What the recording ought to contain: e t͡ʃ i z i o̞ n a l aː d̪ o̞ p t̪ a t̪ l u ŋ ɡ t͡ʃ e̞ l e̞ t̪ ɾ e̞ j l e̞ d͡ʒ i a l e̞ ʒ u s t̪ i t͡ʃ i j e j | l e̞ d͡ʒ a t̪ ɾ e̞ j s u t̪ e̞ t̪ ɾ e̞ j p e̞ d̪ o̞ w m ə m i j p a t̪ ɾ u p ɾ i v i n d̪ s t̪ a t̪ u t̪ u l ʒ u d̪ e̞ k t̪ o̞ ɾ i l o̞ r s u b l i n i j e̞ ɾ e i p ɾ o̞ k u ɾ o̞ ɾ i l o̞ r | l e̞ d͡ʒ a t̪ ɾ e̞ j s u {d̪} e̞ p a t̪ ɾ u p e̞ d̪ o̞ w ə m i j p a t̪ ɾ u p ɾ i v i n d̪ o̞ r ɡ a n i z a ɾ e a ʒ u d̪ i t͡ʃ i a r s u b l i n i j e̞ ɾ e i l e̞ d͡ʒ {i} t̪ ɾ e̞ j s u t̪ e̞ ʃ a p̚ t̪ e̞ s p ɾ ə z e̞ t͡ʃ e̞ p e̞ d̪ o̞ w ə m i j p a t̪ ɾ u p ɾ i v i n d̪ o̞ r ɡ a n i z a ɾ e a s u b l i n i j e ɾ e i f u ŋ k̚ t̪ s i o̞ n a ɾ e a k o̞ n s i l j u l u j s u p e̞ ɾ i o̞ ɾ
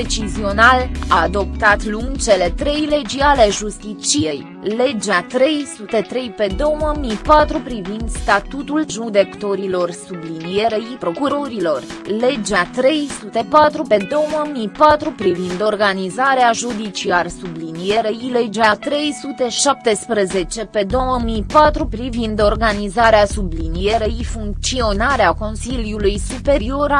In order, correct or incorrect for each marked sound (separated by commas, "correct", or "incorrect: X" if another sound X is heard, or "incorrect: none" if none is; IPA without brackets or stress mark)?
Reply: incorrect: t̪, incorrect: a